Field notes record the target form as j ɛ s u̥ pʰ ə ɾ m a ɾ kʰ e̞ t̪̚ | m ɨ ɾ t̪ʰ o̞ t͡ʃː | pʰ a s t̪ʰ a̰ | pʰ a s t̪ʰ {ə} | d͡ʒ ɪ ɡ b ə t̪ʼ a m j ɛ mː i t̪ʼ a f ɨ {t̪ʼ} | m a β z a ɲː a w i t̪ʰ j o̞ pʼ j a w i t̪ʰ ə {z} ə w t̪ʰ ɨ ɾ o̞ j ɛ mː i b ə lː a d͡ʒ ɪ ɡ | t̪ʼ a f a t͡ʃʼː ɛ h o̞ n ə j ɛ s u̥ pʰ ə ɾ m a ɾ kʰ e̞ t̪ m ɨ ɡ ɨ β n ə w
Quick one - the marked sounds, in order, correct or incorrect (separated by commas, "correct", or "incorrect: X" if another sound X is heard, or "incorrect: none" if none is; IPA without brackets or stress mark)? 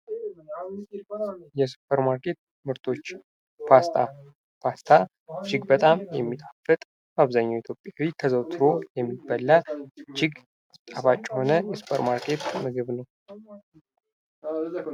incorrect: a, correct, correct